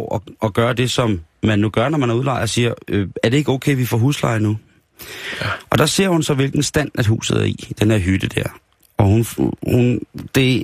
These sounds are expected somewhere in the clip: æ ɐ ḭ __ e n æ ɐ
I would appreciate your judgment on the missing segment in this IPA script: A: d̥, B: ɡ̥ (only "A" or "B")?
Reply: A